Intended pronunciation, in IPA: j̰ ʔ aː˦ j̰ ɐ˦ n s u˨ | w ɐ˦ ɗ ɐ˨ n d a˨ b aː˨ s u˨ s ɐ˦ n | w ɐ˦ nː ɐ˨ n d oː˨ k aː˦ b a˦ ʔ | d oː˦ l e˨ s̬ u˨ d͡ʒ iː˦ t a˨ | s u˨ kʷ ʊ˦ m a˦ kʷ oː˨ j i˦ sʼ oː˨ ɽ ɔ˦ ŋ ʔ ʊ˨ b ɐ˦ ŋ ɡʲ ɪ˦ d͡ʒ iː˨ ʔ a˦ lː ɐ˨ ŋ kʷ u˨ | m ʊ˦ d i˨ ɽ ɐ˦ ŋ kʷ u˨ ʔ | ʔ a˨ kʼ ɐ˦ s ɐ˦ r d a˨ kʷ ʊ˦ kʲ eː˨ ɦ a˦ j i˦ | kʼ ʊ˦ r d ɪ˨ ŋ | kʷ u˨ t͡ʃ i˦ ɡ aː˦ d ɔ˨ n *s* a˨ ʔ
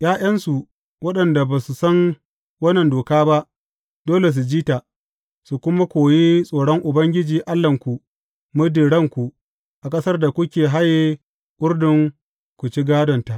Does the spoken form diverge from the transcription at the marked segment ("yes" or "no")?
yes